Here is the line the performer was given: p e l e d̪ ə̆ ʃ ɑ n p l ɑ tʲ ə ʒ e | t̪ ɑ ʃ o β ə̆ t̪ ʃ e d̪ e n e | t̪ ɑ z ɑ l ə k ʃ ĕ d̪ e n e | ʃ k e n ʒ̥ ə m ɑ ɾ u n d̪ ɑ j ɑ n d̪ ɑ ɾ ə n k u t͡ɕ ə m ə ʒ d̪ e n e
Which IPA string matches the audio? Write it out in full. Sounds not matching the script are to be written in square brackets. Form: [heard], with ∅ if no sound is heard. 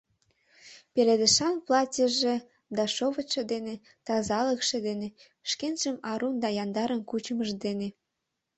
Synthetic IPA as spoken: p e l e d̪ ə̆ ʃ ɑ n p l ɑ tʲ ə ʒ e | [d̪] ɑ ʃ o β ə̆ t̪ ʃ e d̪ e n e | t̪ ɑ z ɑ l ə k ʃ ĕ d̪ e n e | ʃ k e n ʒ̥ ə m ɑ ɾ u n d̪ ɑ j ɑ n d̪ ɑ ɾ ə n k u t͡ɕ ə m ə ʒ d̪ e n e